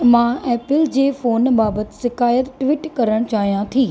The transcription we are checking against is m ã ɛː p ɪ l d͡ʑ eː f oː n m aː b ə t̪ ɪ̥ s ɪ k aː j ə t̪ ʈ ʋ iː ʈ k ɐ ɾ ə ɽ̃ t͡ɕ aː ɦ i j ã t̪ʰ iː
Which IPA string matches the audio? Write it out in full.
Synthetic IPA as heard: m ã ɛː p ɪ l d͡ʑ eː f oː n b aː b ə t̪ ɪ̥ s ɪ k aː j ə t̪ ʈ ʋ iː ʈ k ɐ ɾ ə ɽ̃ t͡ɕ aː ɦ i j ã t̪ʰ iː